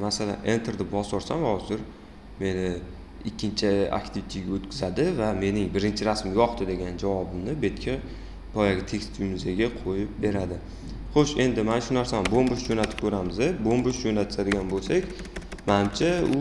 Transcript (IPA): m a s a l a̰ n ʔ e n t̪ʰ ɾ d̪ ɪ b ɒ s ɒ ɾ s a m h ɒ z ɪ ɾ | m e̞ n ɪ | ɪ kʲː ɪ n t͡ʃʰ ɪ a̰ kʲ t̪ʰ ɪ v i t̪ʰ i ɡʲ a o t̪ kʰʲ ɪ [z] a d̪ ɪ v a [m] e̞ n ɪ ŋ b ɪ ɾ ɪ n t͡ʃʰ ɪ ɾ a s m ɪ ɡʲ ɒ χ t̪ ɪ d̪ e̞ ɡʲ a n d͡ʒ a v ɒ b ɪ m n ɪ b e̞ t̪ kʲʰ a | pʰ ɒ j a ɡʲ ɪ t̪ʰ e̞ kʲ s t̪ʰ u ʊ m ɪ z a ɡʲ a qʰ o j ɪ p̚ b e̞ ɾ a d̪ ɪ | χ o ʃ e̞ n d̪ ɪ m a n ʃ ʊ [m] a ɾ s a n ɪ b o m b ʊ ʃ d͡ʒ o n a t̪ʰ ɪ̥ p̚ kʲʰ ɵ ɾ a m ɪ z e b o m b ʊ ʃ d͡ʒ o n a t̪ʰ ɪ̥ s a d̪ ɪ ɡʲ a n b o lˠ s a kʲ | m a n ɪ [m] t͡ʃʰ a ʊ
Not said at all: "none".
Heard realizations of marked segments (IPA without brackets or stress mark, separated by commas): z, m, n, m